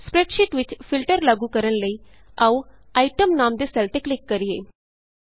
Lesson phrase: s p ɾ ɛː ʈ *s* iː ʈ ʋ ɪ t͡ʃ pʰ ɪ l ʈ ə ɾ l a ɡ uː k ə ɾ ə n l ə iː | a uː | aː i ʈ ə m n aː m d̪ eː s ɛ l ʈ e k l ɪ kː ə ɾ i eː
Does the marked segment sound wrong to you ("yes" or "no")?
yes